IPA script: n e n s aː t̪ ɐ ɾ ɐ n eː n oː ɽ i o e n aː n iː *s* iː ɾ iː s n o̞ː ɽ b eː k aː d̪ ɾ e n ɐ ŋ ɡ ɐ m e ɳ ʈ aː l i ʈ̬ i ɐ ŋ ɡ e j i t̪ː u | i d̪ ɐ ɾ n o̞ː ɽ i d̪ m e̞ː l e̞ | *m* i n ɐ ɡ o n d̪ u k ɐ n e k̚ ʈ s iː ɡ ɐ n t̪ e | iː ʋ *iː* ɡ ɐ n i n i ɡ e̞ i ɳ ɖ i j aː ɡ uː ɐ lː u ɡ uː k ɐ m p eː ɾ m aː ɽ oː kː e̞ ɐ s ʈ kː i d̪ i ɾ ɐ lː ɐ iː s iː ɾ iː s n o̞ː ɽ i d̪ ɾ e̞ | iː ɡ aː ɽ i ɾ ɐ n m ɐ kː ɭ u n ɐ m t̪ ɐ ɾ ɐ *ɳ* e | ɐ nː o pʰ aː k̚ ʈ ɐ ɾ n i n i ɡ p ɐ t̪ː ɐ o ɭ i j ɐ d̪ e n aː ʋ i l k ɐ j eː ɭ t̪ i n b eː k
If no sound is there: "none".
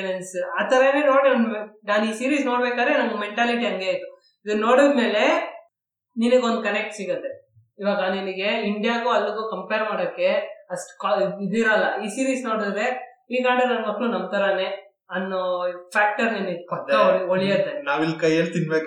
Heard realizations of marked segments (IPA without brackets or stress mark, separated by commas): s, n, aː, n